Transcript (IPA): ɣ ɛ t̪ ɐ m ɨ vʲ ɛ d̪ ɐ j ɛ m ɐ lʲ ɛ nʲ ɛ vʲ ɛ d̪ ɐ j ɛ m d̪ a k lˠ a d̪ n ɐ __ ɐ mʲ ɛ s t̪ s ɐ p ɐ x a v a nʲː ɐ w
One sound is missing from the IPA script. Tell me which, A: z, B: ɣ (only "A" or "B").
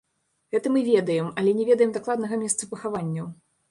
B